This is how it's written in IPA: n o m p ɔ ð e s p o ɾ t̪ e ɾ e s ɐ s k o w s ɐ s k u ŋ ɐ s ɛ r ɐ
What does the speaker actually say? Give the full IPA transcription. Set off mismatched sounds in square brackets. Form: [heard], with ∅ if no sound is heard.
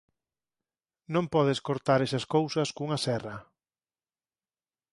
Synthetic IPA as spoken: n [õ] m p ɔ ð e s [k] o ɾ t̪ [a] ɾ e s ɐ s k o w s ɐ s k u ŋ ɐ s ɛ r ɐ